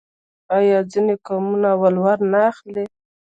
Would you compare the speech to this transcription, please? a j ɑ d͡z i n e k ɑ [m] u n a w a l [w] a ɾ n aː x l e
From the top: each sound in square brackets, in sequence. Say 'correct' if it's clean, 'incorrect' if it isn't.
correct, correct

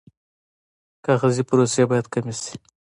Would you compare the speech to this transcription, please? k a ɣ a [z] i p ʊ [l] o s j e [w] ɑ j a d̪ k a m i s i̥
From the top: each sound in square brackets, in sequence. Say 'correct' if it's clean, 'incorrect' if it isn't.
correct, incorrect, incorrect

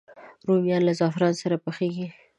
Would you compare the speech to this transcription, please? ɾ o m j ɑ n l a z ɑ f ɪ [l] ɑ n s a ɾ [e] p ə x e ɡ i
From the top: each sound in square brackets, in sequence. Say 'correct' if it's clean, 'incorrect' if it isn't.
incorrect, incorrect

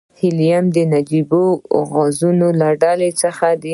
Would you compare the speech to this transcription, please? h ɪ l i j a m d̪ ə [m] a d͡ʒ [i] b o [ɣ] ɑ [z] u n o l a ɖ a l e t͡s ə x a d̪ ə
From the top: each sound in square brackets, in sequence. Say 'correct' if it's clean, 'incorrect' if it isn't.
incorrect, correct, correct, correct

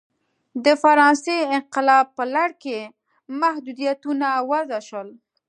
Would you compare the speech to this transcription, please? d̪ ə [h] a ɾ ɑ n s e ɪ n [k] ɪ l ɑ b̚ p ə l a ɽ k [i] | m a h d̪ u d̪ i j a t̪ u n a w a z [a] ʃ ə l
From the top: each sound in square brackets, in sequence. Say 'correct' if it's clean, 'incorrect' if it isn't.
incorrect, incorrect, incorrect, correct

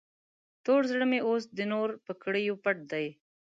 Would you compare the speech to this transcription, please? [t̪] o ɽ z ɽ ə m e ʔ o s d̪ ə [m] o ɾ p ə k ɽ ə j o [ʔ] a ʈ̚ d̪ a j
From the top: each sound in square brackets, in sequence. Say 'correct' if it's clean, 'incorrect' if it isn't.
correct, incorrect, incorrect

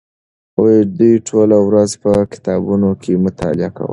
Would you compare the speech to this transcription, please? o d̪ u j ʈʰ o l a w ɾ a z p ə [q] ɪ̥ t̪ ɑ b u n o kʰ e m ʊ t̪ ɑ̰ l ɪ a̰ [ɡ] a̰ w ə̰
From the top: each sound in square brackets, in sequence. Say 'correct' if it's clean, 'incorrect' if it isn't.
incorrect, incorrect

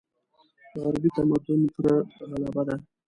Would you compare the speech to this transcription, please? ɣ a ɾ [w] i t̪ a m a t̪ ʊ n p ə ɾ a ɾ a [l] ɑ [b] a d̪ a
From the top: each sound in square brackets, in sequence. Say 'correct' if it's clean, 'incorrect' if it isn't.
incorrect, correct, correct

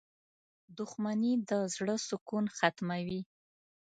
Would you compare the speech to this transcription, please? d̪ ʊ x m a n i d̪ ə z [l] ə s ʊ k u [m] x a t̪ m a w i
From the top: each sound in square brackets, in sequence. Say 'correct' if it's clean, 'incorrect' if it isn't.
incorrect, incorrect

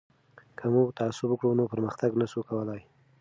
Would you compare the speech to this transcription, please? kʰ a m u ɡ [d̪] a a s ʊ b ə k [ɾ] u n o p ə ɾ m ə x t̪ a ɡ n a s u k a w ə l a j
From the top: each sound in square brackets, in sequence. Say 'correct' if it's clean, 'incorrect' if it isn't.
incorrect, incorrect

